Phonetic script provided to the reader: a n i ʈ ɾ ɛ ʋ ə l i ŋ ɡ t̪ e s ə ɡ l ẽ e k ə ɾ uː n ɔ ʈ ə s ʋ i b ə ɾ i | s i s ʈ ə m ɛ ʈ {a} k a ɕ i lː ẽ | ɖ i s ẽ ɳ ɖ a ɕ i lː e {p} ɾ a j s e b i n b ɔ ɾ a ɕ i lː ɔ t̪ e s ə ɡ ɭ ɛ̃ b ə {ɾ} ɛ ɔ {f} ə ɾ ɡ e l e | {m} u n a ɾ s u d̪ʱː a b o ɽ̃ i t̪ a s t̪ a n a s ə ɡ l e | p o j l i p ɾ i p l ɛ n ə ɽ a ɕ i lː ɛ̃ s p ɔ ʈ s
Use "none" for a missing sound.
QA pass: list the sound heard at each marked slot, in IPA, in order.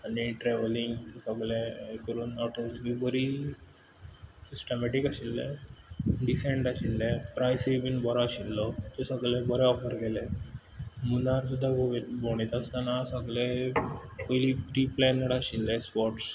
i, p, ɾ, f, m

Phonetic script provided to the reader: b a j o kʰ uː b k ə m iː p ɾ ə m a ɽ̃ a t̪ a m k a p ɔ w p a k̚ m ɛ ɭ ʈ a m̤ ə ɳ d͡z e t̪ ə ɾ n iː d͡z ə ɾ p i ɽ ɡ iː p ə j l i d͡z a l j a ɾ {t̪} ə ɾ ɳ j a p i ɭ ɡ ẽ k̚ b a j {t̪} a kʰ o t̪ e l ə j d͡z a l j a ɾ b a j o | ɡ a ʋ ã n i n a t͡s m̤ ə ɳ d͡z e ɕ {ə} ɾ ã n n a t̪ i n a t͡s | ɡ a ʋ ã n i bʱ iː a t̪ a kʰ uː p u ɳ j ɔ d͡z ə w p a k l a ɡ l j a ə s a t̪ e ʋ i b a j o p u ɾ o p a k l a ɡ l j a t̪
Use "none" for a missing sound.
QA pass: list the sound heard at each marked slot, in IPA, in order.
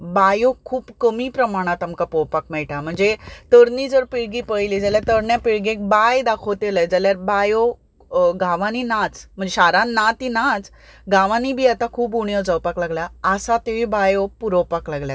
t̪, d̪, a

